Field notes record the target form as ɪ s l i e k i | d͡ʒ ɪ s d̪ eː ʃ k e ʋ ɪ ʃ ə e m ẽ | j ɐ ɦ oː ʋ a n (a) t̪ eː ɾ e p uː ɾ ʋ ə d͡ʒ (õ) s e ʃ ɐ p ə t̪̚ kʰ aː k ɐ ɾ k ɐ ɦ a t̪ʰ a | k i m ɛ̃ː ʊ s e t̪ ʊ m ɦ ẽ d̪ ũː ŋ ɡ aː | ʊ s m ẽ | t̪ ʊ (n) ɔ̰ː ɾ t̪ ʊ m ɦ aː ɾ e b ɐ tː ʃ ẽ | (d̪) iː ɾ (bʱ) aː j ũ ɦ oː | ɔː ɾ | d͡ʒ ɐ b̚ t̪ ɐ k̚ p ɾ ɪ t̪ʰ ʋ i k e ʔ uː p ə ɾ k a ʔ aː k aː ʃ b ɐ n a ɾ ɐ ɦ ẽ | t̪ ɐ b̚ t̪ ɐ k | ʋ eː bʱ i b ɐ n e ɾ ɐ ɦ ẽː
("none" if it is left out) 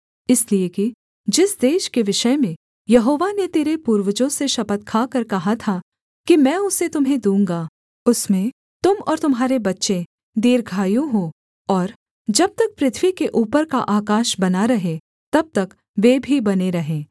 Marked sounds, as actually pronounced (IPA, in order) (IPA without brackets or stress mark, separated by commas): e, õ, m, d̪, ɡʱ